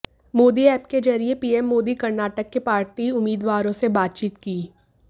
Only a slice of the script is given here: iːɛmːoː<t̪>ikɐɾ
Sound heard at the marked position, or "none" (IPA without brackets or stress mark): d̪